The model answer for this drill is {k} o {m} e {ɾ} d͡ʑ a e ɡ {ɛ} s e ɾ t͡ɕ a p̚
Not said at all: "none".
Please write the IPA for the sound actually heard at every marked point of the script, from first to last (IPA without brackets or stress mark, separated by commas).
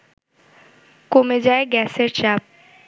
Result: k, m, none, ɛ